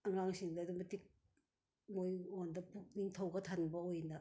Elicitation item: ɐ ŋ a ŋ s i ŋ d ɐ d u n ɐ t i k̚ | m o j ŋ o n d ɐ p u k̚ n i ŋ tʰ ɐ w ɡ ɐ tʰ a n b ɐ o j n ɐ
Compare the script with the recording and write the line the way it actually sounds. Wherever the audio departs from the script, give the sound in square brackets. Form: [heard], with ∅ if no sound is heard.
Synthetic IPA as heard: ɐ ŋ a ŋ s i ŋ d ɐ d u [m] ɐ t i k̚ | m o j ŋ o n d ɐ p u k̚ n i ŋ tʰ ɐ w ɡ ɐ tʰ a n b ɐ o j n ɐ

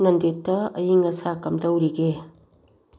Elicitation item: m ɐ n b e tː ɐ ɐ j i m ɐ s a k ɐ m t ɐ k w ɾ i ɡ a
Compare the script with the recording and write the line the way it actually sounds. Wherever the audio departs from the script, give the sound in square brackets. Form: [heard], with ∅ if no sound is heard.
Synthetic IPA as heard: [n] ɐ n [d] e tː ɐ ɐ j i [ŋ] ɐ s a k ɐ m [d] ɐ [∅] w ɾ i ɡ [e]

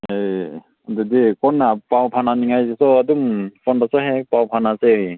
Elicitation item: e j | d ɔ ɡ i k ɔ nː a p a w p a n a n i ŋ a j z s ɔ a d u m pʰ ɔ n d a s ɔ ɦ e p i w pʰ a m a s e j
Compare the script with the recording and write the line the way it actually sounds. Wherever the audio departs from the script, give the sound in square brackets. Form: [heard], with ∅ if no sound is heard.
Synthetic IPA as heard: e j | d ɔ [d] i k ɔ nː a p a w [pʰ] a n a n i ŋ a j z s ɔ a d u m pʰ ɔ n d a s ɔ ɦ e p [a] w pʰ a [n] a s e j

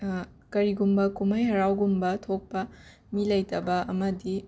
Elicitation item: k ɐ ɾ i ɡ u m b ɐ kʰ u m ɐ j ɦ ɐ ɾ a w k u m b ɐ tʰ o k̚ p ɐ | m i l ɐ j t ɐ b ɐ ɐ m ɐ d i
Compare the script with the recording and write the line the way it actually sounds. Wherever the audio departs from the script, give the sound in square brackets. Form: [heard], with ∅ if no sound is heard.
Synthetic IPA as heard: k ɐ ɾ i ɡ u m b ɐ [k] u m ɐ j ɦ ɐ ɾ a w [ɡ] u m b ɐ tʰ o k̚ p ɐ | m i l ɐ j t ɐ b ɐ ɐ m ɐ d i

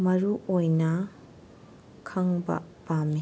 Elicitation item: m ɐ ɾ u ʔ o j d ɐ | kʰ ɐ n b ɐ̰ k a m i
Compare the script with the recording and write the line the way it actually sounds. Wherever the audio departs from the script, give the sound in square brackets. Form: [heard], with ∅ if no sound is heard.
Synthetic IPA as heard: m ɐ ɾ u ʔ o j [n] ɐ | kʰ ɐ [ŋ] b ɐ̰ [p] a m i

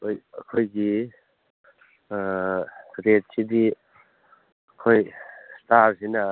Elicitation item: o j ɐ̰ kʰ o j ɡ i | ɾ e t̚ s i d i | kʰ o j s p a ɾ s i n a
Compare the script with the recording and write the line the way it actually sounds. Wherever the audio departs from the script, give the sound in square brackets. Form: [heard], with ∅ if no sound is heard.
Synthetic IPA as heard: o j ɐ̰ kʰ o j ɡ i | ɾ e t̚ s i d i | kʰ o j s [t] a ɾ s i n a

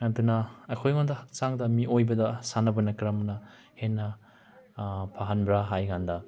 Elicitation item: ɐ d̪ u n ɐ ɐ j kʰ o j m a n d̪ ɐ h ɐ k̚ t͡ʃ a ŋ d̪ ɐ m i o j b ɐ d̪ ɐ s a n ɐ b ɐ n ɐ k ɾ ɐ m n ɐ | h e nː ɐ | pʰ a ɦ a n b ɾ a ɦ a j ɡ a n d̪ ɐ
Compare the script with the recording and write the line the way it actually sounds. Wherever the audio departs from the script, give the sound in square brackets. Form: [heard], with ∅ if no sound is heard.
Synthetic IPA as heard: ɐ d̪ u n ɐ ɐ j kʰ o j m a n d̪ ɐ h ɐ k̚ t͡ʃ a ŋ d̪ ɐ m i o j b ɐ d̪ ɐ s a n ɐ b ɐ n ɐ k ɾ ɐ m n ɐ | h e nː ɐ | pʰ a ɦ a n b ɾ a ɦ a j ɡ a n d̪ ɐ

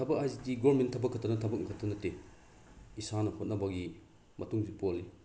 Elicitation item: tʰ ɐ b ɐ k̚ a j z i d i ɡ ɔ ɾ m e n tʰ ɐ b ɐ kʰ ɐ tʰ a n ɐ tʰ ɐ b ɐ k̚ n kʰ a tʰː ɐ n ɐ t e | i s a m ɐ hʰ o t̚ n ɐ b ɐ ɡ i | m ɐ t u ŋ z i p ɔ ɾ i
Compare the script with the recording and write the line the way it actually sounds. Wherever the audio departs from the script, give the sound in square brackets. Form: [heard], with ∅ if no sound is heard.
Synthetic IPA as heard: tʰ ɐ b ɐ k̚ a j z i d i ɡ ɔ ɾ m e n tʰ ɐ b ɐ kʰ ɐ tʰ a n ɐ tʰ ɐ b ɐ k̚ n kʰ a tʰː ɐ n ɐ t e | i s a [n] ɐ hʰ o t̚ n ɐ b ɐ ɡ i | m ɐ t u ŋ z i p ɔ [l] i

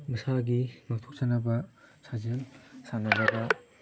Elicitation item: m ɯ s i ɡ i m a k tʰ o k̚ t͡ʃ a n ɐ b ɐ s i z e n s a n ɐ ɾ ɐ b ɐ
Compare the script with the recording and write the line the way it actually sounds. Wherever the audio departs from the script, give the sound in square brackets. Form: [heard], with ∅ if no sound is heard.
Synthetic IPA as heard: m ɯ s [a] ɡ i m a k tʰ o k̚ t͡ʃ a n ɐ b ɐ s [a] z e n s a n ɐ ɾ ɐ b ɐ

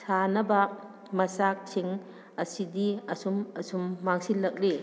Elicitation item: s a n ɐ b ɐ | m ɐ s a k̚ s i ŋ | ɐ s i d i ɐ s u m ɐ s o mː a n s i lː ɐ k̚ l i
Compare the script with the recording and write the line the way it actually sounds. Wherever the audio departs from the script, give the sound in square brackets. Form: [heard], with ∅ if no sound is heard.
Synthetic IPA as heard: s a n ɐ b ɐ | m ɐ s a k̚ s i ŋ | ɐ s i d i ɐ s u m ɐ s [u] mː a [ŋ] s i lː ɐ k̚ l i

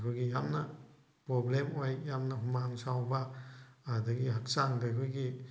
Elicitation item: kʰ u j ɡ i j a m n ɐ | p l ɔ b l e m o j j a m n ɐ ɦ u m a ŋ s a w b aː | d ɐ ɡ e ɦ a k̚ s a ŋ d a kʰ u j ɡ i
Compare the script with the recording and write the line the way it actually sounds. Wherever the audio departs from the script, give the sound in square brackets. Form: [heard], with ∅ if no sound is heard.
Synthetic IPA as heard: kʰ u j ɡ i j a m n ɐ | p [ɾ] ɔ b l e m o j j a m n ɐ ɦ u m a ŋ s a w b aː | d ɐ ɡ [i] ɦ a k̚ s a ŋ d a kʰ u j ɡ i

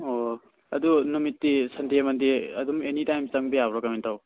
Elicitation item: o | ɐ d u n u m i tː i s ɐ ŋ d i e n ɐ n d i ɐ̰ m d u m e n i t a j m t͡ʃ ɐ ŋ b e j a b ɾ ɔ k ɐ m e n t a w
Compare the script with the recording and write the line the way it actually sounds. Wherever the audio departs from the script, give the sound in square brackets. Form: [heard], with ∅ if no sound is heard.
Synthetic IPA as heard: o | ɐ d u n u m i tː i s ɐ [n] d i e [m] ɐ n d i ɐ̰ [∅] d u m e n i t a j m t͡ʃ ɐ ŋ b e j a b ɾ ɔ k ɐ m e n t a w

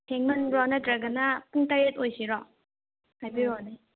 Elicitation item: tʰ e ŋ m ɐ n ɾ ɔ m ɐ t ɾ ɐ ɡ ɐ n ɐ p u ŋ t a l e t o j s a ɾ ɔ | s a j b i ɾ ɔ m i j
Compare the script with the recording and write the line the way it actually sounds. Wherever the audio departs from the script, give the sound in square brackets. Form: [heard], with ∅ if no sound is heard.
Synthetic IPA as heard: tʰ e ŋ m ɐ n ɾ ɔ [n] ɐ t ɾ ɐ ɡ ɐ n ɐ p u ŋ t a [ɾ] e t o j s [i] ɾ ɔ | [h] a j b i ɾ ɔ [n] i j

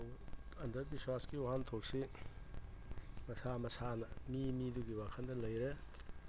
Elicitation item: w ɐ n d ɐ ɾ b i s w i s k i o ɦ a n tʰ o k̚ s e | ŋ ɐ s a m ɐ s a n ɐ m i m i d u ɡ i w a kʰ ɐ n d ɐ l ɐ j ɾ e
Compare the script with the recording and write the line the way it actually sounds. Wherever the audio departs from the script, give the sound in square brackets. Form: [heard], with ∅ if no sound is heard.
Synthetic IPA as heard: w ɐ n d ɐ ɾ b i s w [a] s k i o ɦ a n tʰ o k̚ s [i] | [m] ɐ s a m ɐ s a n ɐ m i m i d u ɡ i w a kʰ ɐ n d ɐ l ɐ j ɾ e

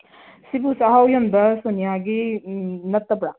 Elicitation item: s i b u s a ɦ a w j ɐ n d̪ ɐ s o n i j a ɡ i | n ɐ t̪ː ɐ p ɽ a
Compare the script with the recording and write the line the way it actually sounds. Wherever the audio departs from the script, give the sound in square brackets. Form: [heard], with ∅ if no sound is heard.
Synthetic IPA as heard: s i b u s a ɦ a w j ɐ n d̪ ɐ s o n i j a ɡ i | n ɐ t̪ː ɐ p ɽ a

